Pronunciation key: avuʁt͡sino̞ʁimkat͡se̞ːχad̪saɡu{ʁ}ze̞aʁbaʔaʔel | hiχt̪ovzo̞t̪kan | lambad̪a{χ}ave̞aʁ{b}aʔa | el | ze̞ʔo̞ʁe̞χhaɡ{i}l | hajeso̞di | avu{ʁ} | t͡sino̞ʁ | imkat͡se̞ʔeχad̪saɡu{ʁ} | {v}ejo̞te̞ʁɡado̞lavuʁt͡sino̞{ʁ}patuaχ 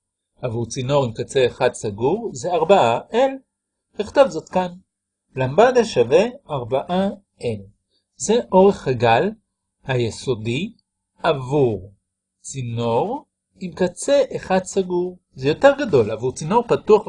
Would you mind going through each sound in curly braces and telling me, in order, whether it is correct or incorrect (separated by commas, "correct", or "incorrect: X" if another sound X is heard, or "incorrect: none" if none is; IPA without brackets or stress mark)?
correct, incorrect: ʃ, correct, incorrect: a, correct, correct, incorrect: z, correct